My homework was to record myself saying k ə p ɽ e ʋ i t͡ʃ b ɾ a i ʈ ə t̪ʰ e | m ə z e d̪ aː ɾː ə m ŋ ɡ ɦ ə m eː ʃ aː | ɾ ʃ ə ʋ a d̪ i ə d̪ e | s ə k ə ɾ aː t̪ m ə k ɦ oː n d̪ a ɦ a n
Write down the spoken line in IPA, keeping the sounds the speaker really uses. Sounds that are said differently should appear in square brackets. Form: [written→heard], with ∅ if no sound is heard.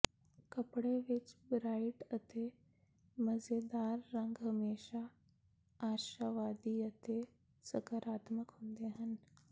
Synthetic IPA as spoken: k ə p ɽ e ʋ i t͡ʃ b ɾ a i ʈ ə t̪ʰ e | m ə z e d̪ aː ɾː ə [m→∅] ŋ ɡ ɦ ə m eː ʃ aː | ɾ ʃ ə ʋ a d̪ i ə [d̪→t̪] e | s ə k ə ɾ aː t̪ m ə k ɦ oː n d̪ [a→e] ɦ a n